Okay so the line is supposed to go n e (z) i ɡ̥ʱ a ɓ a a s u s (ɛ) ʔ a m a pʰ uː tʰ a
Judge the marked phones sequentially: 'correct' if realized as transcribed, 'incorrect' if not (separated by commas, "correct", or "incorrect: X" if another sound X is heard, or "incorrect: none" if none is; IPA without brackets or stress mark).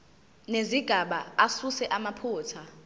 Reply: correct, correct